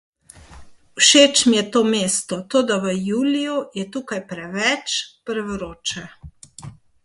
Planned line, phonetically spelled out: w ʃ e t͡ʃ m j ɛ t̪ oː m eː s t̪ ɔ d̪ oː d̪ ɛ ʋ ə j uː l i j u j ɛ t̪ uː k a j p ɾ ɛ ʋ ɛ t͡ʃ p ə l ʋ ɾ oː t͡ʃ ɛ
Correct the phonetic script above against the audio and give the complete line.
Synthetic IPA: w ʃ e t͡ʃ m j ɛ t̪ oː m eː s t̪ ɔ t̪ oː d̪ a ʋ ə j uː l i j u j ɛ t̪ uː k a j p ɾ ɛ ʋ ɛ t͡ʃ p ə ɾ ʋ ɾ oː t͡ʃ ɛ